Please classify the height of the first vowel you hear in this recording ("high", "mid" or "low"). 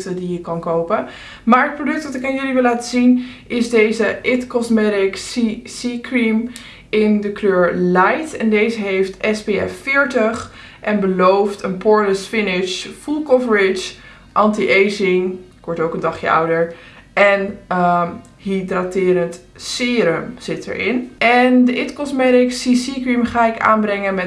mid